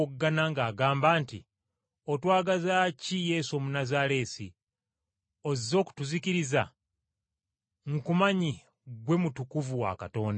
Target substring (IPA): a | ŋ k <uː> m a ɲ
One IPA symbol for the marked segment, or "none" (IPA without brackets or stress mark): u